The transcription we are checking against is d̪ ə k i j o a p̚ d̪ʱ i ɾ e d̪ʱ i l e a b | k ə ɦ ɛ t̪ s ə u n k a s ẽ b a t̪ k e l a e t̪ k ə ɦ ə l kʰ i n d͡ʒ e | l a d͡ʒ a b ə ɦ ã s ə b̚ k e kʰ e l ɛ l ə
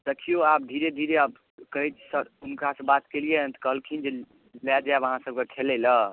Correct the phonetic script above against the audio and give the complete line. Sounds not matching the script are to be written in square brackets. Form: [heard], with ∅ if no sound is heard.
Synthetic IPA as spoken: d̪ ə [kʰ] i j o a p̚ d̪ʱ i ɾ e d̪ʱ i [ɾ] e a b | k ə ɦ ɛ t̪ s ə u n k a s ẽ b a t̪ k e l [i] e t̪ k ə ɦ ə l kʰ i n d͡ʒ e | l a d͡ʒ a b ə ɦ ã s ə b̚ k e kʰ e l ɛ l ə